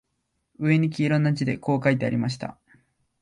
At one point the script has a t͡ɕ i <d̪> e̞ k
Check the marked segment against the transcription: correct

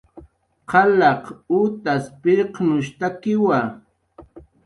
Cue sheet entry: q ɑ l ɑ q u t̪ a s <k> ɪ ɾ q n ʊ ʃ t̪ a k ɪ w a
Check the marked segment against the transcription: incorrect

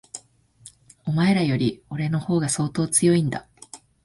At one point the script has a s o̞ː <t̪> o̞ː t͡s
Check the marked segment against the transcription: correct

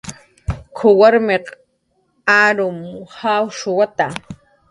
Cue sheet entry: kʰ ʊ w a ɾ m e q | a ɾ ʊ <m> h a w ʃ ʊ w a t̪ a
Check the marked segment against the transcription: correct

